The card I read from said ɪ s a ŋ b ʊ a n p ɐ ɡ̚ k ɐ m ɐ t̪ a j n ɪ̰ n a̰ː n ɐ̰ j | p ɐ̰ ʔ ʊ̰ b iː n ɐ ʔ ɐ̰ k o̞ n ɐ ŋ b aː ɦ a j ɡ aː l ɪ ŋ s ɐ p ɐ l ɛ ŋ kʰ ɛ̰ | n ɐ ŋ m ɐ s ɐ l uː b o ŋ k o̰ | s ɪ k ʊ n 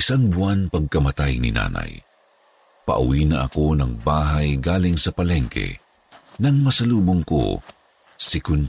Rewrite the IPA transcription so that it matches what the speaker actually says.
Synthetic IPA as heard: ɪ s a ŋ b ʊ a n p ɐ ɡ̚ k ɐ m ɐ t̪ a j n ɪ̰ n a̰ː n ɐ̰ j | p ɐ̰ ʔ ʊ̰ w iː n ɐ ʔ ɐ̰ k o̞ n ɐ ŋ b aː ɦ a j ɡ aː l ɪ ŋ s ɐ p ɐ l ɛ ŋ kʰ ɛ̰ | n ɐ ŋ m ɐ s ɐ l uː b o ŋ k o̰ | s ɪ k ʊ n